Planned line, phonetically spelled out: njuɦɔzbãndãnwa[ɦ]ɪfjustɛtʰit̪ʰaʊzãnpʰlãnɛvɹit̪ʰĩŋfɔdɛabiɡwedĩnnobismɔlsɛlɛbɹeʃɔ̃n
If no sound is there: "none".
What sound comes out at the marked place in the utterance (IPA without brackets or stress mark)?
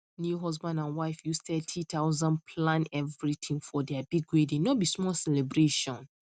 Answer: none